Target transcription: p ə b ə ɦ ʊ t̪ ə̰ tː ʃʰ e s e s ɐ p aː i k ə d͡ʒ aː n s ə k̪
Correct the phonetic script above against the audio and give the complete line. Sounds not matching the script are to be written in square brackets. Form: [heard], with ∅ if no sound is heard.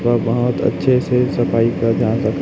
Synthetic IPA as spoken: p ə b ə ɦ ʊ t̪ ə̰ tː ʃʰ e s e s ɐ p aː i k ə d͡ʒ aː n s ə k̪

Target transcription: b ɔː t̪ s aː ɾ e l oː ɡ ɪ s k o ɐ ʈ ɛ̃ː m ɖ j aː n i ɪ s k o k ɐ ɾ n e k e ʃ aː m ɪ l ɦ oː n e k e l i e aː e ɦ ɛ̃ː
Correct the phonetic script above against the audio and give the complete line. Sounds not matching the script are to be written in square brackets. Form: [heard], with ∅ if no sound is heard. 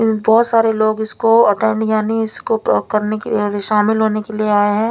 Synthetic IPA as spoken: b ɔː t̪ s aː ɾ e l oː ɡ ɪ s k o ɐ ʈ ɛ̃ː [ɳ] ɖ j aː n i ɪ s k o k ɐ ɾ n e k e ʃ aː m ɪ l ɦ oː n e k e l i e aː e ɦ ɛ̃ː

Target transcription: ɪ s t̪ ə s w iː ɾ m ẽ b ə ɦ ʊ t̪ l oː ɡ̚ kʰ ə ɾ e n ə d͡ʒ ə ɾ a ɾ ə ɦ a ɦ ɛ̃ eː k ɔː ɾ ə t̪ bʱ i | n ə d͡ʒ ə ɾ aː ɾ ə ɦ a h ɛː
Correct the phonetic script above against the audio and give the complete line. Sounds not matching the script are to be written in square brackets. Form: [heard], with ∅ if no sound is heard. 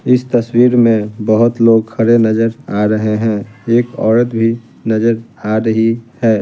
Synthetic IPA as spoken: ɪ s t̪ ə s w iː ɾ m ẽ b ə ɦ ʊ t̪ l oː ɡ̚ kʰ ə ɾ e n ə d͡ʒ ə ɾ a ɾ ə ɦ [e] ɦ ɛ̃ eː k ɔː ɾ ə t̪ bʱ i | n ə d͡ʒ ə ɾ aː ɾ ə ɦ [i] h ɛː

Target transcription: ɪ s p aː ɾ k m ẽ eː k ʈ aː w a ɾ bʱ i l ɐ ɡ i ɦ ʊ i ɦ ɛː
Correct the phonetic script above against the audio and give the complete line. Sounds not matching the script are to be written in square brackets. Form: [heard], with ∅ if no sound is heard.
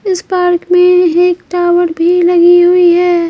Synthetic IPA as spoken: ɪ s p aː ɾ k m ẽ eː k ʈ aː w [ə] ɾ bʱ i l ɐ ɡ i ɦ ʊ i ɦ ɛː

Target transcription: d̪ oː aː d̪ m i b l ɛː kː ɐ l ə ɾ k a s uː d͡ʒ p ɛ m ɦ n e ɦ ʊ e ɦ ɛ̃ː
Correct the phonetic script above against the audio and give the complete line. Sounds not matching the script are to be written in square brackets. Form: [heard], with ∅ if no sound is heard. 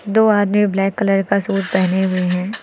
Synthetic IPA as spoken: d̪ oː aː d̪ m i b l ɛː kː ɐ l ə ɾ k a s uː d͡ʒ p ɛ [∅] ɦ n e ɦ ʊ e ɦ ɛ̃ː

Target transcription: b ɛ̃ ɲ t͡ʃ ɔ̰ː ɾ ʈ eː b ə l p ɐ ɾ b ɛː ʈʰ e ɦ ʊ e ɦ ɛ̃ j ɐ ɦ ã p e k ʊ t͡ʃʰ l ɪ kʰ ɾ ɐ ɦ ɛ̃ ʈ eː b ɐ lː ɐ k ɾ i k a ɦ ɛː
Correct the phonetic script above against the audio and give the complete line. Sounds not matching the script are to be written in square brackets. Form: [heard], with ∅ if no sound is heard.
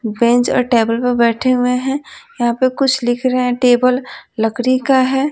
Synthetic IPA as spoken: b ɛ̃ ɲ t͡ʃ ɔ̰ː ɾ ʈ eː b ə l p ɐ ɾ b ɛː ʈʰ e ɦ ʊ e ɦ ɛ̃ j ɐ ɦ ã p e k ʊ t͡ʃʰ l ɪ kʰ ɾ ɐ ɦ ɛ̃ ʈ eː b [ə] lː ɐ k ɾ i k a ɦ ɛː

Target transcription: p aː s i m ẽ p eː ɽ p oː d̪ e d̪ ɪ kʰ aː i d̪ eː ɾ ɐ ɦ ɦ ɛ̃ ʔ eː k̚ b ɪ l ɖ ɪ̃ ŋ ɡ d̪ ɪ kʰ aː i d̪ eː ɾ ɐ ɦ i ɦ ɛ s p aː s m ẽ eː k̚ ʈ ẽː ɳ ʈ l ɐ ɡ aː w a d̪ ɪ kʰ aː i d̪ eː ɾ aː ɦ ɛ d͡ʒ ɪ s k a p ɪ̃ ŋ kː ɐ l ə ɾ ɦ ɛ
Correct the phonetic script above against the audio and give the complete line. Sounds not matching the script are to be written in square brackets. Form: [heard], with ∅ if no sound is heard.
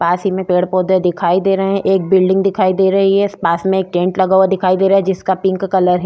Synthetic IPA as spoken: p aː s i m ẽ p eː ɽ p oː d̪ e d̪ ɪ kʰ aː i d̪ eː ɾ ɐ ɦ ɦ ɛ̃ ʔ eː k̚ b ɪ l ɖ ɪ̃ ŋ ɡ d̪ ɪ kʰ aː i d̪ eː ɾ ɐ ɦ i ɦ ɛ s p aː s m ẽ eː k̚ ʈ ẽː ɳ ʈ l ɐ ɡ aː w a d̪ ɪ kʰ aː i d̪ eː ɾ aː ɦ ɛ d͡ʒ ɪ s k a p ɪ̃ ŋ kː ɐ l ə ɾ ɦ ɛ

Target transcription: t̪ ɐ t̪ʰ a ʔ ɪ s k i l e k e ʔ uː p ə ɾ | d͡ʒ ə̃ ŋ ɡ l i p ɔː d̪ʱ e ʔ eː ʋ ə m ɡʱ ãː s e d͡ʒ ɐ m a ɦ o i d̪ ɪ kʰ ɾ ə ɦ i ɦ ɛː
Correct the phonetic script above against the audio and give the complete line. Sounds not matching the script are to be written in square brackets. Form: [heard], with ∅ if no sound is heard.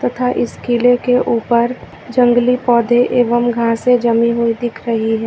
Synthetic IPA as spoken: t̪ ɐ t̪ʰ a ʔ ɪ s k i l e k e ʔ uː p ə ɾ | d͡ʒ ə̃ ŋ ɡ l i p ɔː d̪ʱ e ʔ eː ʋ ə m ɡʱ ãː s e d͡ʒ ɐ m [i] ɦ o i d̪ ɪ kʰ ɾ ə ɦ i ɦ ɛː

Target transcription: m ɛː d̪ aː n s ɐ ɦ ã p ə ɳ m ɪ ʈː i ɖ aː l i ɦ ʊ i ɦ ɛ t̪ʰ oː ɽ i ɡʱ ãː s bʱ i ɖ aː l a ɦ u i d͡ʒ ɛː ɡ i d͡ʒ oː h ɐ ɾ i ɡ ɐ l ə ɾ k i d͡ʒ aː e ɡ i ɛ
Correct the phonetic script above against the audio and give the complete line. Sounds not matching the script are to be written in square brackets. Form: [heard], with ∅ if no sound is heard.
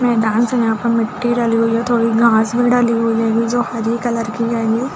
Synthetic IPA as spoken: m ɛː d̪ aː n s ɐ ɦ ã p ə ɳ m ɪ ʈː i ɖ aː l i ɦ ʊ i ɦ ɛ t̪ʰ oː ɽ i ɡʱ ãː s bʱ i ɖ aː l [i] ɦ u i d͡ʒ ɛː ɡ i d͡ʒ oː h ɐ ɾ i [k] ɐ l ə ɾ k i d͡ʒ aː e ɡ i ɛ

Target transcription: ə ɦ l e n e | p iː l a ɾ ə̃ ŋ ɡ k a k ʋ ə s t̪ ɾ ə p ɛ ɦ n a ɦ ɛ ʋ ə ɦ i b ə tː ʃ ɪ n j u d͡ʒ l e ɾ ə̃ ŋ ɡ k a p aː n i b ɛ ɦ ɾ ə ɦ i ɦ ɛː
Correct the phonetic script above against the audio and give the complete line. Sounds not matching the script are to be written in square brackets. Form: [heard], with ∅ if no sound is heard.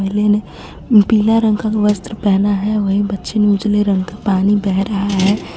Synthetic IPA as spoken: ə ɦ l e n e | p iː l a ɾ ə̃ ŋ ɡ k a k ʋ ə s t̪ ɾ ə p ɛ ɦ n a ɦ ɛ ʋ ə ɦ i b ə tː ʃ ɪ n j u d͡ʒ l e ɾ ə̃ ŋ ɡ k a p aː n i b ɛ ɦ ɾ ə ɦ [a] ɦ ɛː

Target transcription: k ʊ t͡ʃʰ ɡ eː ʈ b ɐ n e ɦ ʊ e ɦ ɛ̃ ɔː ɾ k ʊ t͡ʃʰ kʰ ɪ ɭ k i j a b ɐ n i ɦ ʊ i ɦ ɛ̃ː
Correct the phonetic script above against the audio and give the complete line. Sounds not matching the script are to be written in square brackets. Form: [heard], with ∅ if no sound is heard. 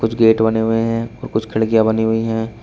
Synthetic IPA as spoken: k ʊ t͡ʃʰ ɡ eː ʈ b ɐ n e ɦ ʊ e ɦ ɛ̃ ɔː ɾ k ʊ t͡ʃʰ kʰ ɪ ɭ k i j a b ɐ n i ɦ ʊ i ɦ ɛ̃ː

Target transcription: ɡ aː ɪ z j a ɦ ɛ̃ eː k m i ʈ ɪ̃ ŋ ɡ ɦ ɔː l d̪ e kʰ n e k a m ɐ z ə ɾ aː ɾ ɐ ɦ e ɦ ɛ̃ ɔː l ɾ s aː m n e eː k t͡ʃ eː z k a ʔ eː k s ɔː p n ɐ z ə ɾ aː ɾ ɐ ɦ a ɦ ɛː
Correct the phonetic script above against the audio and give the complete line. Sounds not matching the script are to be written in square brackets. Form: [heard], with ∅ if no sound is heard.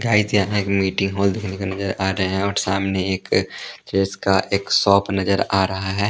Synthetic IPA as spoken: ɡ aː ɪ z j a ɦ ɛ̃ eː k m [iː] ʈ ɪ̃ ŋ ɡ ɦ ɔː l d̪ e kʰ n e k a [n] ɐ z ə ɾ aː ɾ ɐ ɦ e ɦ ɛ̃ ɔː [∅] ɾ s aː m n e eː k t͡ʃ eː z k a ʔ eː k s ɔː p n ɐ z ə ɾ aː ɾ ɐ ɦ a ɦ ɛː

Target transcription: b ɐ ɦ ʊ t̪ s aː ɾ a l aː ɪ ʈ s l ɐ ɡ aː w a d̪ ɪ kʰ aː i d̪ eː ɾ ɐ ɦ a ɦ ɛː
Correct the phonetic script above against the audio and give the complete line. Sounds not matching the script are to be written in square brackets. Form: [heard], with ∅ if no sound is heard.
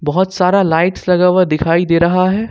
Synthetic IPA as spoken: b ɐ ɦ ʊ t̪ s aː ɾ a l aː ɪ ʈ s l ɐ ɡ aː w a d̪ ɪ kʰ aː i d̪ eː ɾ ɐ ɦ a ɦ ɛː

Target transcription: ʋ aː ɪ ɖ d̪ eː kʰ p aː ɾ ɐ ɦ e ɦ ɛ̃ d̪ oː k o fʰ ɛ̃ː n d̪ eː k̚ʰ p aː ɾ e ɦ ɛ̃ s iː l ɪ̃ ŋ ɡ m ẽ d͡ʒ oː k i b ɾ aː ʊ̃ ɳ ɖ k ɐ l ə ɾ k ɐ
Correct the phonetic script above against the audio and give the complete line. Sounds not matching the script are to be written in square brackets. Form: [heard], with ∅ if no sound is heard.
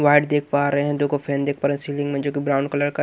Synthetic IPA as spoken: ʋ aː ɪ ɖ d̪ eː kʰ p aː ɾ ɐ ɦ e ɦ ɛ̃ d̪ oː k o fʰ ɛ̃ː n d̪ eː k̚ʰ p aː ɾ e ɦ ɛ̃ s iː l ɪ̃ ŋ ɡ m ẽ d͡ʒ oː k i b ɾ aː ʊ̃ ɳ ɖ k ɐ l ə ɾ k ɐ

